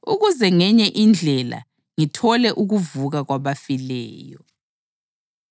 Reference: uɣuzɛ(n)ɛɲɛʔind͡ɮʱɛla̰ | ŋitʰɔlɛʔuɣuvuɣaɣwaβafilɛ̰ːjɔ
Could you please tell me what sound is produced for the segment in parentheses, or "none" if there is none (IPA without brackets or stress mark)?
ŋ